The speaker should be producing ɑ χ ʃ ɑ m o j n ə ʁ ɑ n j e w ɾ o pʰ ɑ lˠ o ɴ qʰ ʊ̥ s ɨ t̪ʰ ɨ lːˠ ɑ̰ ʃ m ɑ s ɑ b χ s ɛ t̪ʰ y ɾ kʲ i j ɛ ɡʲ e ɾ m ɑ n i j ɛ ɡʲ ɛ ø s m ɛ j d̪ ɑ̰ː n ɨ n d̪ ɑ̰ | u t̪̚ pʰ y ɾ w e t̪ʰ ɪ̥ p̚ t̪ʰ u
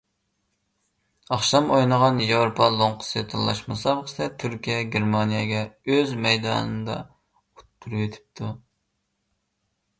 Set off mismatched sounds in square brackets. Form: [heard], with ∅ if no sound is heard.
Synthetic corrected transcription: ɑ χ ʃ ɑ m o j n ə ʁ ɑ n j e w ɾ o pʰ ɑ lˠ o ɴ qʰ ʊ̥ s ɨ t̪ʰ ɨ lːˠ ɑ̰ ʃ m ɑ s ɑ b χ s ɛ t̪ʰ y ɾ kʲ i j ɛ ɡʲ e ɾ m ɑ n i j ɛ ɡʲ ɛ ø [z] m ɛ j d̪ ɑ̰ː n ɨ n d̪ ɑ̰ | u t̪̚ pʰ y ɾ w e t̪ʰ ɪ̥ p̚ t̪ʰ u